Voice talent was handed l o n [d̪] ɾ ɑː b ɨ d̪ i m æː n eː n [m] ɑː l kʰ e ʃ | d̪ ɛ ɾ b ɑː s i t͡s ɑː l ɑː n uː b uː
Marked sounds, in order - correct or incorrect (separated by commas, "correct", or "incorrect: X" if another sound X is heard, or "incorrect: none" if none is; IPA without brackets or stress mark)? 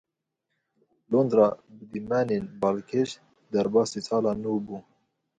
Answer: correct, incorrect: b